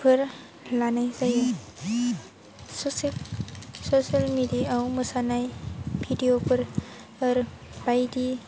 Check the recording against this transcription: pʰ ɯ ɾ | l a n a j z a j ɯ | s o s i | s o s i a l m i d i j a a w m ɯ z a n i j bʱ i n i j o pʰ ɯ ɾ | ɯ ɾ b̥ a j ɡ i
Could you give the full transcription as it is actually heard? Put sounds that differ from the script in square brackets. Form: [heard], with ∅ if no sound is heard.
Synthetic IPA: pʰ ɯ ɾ | l a n a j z a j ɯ | s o s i | s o s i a l m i d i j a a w m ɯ [s] a n [a] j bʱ i [d] i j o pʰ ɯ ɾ | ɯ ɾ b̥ a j [d] i